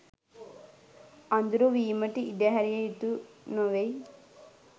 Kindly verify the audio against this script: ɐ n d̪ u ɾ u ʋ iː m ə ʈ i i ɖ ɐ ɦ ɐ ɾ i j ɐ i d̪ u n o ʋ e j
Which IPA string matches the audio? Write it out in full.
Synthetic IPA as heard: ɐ n d̪ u ɾ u ʋ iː m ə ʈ i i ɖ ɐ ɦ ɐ ɾ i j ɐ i t̪ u n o ʋ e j